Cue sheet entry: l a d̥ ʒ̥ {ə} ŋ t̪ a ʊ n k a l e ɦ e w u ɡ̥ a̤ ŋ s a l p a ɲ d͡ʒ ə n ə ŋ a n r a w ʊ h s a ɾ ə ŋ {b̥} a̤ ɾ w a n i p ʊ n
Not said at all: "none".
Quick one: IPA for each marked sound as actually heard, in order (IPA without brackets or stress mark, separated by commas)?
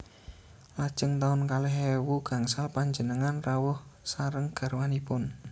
ə, ɡ̥